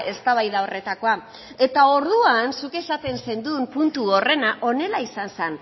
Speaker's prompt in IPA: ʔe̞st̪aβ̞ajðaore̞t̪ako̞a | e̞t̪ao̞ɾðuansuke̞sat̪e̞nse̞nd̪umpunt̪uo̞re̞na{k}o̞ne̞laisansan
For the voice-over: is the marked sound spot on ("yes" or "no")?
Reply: no